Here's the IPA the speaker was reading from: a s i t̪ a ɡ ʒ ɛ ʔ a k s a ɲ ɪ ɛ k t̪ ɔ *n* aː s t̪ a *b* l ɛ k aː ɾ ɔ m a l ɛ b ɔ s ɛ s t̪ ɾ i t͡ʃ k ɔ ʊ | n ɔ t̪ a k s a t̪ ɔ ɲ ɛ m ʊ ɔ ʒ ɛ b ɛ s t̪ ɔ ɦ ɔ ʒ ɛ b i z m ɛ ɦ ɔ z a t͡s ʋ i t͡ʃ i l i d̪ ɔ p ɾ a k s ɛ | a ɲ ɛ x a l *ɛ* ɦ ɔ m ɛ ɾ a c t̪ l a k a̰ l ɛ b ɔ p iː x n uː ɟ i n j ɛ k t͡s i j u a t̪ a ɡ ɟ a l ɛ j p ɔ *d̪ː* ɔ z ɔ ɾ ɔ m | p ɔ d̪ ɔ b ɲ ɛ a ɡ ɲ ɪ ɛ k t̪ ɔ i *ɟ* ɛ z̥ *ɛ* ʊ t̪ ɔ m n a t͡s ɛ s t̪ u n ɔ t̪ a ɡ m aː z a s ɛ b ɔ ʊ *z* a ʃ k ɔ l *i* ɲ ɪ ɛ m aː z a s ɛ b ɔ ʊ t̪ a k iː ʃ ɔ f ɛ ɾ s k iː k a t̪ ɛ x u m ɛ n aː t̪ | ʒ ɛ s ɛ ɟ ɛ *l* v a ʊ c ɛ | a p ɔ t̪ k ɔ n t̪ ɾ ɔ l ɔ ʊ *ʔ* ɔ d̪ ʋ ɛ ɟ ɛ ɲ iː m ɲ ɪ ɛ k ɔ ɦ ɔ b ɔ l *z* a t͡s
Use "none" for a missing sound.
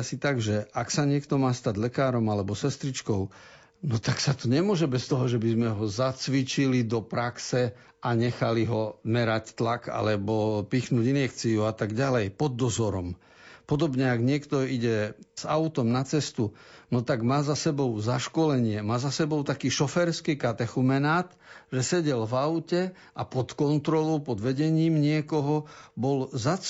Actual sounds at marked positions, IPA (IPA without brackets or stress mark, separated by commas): m, ɟ, i, d̪ː, ɟ, a, z, ɛ, l, p, z